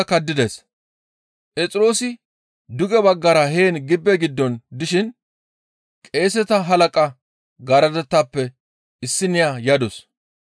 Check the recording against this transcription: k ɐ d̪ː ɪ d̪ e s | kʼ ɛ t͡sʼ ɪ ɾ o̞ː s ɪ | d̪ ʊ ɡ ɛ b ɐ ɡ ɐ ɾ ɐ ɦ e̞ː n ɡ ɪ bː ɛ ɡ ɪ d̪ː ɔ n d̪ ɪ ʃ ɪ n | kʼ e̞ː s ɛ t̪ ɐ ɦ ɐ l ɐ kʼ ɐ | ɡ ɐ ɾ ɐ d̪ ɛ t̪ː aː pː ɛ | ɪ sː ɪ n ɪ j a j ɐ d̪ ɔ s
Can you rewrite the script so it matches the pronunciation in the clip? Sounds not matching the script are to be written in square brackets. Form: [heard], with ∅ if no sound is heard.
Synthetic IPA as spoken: k ɐ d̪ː ɪ d̪ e s | [pʼ] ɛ t͡sʼ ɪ ɾ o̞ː s ɪ | d̪ ʊ ɡ ɛ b ɐ [ɡː] ɐ ɾ ɐ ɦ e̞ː n ɡ ɪ bː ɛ ɡ ɪ d̪ː ɔ n d̪ ɪ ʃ ɪ n | kʼ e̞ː s ɛ t̪ ɐ ɦ ɐ l ɐ kʼ ɐ | ɡ ɐ ɾ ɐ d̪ ɛ t̪ː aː pː ɛ | ɪ sː ɪ n ɪ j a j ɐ d̪ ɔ s